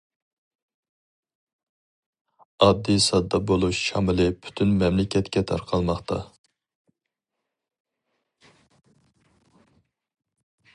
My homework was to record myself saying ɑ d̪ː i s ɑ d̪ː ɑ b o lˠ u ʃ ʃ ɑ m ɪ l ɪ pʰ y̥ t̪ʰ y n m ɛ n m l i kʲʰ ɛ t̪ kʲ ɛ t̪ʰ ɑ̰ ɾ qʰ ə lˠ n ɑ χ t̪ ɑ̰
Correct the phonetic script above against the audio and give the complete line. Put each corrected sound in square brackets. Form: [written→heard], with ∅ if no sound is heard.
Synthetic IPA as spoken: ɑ d̪ː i s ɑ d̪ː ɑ b o lˠ u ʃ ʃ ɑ m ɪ l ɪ pʰ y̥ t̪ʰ y n m ɛ [n→∅] m l [i→ɪ] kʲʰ ɛ t̪ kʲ ɛ t̪ʰ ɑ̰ ɾ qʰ [ə→ɑ] lˠ [n→m] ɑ χ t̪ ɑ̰